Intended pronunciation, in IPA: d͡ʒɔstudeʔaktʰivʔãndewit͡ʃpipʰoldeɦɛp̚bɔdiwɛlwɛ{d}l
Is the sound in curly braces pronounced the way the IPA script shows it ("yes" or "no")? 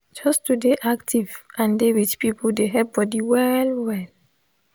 no